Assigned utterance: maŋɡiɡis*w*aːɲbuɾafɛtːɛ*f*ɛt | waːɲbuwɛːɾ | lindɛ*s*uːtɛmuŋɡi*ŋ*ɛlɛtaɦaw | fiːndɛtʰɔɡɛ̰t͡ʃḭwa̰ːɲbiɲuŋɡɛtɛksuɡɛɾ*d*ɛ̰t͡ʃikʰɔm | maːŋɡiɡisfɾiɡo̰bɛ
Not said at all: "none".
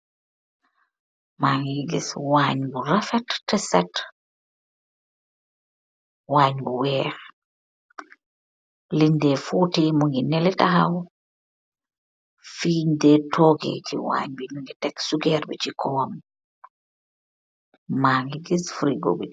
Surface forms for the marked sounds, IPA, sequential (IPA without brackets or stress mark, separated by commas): w, s, f, n, b